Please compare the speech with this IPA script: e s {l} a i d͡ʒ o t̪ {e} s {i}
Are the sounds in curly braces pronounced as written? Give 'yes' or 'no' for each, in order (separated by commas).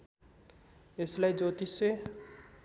yes, no, no